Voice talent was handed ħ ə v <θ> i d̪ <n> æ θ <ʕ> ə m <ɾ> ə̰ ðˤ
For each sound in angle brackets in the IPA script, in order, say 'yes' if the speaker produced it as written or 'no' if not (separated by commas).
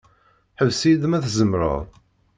no, no, no, yes